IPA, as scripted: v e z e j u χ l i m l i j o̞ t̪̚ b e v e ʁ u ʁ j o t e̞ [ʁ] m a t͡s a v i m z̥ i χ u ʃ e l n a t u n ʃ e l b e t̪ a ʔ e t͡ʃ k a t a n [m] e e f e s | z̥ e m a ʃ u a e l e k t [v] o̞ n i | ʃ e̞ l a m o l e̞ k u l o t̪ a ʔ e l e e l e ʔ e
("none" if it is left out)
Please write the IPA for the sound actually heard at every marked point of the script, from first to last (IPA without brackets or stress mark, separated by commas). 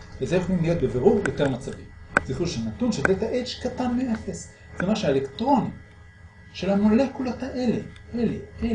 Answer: ʁ, m, ʁ